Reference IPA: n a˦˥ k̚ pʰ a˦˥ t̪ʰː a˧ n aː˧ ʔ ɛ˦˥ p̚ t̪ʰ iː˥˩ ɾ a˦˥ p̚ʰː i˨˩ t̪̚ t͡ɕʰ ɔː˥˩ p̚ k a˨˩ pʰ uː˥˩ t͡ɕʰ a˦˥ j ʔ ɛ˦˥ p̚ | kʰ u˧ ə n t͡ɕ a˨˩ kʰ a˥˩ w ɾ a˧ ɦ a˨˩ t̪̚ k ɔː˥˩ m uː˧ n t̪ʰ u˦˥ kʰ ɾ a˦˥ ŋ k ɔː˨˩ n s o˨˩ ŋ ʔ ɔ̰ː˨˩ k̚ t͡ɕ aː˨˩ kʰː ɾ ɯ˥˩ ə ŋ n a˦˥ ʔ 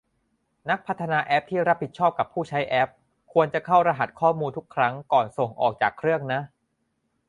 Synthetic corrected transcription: n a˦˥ k̚ pʰ a˦˥ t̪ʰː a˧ n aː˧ ʔ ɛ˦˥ p̚ t̪ʰ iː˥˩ ɾ a˦˥ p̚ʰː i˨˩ t̪̚ t͡ɕʰ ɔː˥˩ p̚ k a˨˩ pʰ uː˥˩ t͡ɕʰ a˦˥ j ʔ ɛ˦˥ p̚ | kʰ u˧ ə n t͡ɕ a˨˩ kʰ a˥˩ w ɾ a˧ ɦ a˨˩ t̪̚ kʰ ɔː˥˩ m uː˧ n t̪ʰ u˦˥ kʰ ɾ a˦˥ ŋ k ɔː˨˩ n s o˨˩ ŋ ʔ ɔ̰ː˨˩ k̚ t͡ɕ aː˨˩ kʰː ɾ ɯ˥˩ ə ŋ n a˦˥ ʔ

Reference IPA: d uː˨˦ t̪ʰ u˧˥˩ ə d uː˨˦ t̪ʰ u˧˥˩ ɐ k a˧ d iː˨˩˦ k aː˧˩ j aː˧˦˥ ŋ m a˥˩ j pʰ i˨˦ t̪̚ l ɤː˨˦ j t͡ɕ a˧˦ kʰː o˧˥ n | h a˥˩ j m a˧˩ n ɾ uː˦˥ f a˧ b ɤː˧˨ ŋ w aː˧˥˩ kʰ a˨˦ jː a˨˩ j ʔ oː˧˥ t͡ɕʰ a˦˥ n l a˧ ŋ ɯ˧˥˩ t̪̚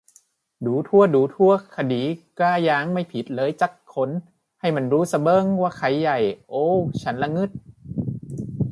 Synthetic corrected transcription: d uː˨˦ t̪ʰ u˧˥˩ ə d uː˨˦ t̪ʰ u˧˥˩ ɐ kʰ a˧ d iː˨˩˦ k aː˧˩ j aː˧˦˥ ŋ m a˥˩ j pʰ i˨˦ t̪̚ l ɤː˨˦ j t͡ɕ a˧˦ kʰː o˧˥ n | h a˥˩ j m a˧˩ n ɾ uː˦˥ s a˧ b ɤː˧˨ ŋ w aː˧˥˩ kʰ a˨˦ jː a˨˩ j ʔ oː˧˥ t͡ɕʰ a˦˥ n l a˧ ŋ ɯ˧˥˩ t̪̚

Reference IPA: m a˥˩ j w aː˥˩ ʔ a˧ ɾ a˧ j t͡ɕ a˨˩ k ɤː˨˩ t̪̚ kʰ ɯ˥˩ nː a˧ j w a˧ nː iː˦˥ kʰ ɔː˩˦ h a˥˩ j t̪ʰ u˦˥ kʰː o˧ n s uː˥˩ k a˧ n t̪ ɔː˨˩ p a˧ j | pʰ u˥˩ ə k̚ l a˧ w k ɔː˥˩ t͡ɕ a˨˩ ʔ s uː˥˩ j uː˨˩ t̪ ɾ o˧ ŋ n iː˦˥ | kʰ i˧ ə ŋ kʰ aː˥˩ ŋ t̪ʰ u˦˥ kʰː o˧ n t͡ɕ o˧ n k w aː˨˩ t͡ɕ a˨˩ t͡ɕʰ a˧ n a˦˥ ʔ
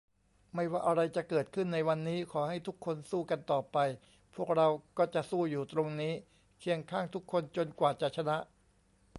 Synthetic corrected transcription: m a˥˩ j w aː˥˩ ʔ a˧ ɾ a˧ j t͡ɕ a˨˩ k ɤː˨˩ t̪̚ kʰ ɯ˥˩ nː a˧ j w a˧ nː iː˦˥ kʰ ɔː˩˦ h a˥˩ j t̪ʰ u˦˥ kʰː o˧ n s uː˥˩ k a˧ n t̪ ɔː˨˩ p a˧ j | pʰ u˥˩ ə k̚ ɾ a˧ w k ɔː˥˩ t͡ɕ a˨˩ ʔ s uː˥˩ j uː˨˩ t̪ ɾ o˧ ŋ n iː˦˥ | kʰ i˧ ə ŋ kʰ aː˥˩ ŋ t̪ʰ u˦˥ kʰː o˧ n t͡ɕ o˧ n k w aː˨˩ t͡ɕ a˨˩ t͡ɕʰ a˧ n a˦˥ ʔ

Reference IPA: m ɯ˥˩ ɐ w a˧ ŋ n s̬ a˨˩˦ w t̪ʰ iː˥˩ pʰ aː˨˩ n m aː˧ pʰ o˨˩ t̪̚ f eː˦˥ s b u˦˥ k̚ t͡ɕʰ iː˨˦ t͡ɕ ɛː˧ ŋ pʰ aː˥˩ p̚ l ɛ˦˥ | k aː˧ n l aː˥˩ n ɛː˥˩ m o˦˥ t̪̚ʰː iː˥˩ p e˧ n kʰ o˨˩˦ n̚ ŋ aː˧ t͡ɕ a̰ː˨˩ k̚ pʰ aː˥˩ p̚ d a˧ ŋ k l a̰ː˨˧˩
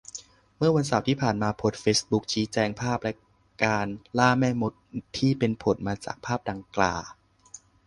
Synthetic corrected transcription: m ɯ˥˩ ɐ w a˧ n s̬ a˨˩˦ w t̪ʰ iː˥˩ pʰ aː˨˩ n m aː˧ pʰ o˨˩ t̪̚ f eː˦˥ s b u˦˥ k̚ t͡ɕʰ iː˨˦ t͡ɕ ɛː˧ ŋ pʰ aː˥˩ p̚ l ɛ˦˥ | k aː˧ n l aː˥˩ m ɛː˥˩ m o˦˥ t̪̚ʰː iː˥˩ p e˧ n pʰ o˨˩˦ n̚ m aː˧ t͡ɕ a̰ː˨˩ k̚ pʰ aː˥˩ p̚ d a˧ ŋ k l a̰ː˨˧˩

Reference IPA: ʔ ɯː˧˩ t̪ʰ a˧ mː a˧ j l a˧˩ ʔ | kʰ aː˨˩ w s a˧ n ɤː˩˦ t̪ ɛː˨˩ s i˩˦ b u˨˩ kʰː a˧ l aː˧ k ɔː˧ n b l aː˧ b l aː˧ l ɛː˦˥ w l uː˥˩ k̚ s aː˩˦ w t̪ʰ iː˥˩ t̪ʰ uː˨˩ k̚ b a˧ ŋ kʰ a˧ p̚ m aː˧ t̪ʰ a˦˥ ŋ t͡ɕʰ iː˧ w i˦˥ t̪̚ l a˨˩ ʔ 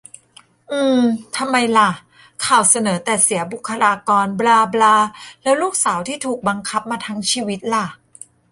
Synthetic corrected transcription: ʔ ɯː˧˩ t̪ʰ a˧ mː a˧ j l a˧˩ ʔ | kʰ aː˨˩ w s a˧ n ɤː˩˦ t̪ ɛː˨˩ s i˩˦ b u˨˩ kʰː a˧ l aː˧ k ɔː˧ n b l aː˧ b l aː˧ l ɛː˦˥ w l uː˥˩ k̚ s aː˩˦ w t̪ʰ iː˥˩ t̪ʰ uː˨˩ k̚ b a˧ ŋ kʰ a˦˥ p̚ m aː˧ t̪ʰ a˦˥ ŋ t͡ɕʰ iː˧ w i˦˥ t̪̚ l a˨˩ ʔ

